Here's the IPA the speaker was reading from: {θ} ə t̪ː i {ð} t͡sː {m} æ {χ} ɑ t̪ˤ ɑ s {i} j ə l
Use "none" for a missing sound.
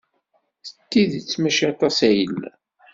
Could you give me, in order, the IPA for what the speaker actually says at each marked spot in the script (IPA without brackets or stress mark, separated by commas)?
θ, ð, m, ʃ, æ